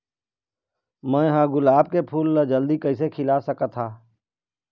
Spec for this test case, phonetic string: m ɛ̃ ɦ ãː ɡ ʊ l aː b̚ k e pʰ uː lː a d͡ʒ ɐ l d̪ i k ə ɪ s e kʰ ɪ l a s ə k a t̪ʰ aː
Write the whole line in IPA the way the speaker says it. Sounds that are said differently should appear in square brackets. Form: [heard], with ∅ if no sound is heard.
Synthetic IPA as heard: m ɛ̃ ɦ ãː ɡ ʊ l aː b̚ k e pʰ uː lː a d͡ʒ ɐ l d̪ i k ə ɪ s e kʰ ɪ l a s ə k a t̪ʰ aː